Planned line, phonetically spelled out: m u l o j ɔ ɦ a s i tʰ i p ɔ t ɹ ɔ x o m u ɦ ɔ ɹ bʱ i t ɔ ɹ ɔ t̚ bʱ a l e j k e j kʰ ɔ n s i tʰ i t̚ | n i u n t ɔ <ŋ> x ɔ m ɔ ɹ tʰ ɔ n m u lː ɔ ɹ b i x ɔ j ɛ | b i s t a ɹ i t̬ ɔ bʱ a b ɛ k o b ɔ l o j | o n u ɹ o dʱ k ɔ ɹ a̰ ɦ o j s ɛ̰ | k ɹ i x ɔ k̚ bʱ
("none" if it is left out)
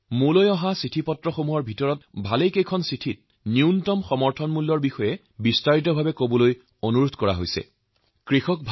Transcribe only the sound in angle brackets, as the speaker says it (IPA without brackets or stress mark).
m